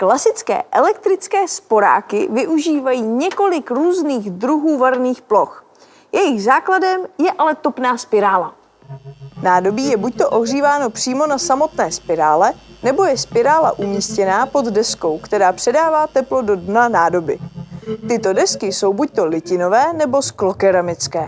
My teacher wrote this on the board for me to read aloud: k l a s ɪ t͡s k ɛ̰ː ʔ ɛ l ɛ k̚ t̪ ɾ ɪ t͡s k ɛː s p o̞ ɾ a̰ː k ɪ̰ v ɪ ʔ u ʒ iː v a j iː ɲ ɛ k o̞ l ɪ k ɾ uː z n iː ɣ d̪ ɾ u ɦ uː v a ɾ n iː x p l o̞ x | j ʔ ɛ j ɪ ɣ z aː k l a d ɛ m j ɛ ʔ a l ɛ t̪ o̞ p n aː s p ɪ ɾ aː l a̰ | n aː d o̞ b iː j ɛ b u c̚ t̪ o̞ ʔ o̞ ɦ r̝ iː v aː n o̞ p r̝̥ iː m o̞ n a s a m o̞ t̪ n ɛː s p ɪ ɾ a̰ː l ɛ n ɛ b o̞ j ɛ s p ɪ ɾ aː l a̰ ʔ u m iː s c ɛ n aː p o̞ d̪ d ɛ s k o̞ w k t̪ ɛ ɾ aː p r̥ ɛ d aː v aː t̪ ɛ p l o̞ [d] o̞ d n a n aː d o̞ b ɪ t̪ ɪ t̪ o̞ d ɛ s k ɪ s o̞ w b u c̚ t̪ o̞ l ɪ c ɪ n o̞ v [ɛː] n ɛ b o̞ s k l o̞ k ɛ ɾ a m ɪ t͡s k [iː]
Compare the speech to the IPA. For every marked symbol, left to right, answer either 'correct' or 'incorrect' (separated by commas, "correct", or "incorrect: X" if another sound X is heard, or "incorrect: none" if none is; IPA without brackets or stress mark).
correct, correct, incorrect: ɛː